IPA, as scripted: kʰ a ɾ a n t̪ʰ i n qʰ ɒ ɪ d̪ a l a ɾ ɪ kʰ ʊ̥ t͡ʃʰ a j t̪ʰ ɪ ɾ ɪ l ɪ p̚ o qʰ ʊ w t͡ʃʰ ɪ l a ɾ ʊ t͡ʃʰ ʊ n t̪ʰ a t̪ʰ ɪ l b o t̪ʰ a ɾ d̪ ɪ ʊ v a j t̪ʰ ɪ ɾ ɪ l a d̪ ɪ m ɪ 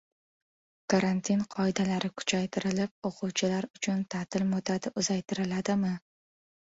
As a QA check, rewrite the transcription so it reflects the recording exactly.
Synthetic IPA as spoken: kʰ a ɾ a n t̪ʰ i n qʰ ɒ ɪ d̪ a l a ɾ ɪ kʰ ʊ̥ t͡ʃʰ a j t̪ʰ ɪ ɾ ɪ l ɪ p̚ o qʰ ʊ w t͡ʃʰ ɪ l a ɾ ʊ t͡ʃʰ ʊ n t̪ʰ a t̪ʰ ɪ l m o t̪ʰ a d̪ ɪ ʊ z a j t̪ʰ ɪ ɾ ɪ l a d̪ ɪ m ɪ